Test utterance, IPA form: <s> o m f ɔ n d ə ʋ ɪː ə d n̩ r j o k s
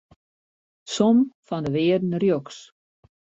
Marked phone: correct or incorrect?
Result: correct